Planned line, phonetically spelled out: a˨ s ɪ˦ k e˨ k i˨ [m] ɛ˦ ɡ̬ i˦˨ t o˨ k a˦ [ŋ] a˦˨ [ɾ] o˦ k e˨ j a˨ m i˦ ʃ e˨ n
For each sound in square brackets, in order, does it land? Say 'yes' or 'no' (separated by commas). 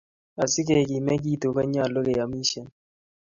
yes, no, no